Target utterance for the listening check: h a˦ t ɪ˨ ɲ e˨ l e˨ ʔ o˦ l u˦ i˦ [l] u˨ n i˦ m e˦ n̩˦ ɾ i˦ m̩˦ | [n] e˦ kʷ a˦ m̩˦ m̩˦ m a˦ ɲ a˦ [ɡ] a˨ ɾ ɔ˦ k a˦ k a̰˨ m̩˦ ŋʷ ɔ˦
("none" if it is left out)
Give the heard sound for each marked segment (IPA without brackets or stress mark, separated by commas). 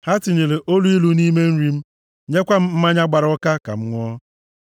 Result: l, ɲ, ɡ͡b